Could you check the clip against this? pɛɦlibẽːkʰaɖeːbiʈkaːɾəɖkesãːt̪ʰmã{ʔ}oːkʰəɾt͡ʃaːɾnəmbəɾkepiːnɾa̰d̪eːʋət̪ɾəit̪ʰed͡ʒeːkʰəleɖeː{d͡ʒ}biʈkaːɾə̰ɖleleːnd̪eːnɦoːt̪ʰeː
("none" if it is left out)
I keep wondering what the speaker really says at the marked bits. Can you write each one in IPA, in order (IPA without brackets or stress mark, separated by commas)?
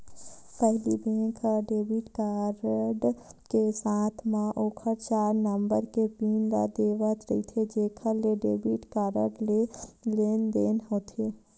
ʔ, none